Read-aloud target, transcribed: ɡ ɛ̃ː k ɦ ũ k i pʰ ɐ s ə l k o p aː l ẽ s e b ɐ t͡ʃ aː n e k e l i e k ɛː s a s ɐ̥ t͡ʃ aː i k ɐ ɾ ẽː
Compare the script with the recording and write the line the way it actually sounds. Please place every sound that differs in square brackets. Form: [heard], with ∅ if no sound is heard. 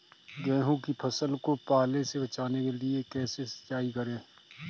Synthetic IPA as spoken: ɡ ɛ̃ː [∅] ɦ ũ k i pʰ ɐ s ə l k o p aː l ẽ s e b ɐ t͡ʃ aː n e k e l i e k ɛː s [e] s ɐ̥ t͡ʃ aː i k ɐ ɾ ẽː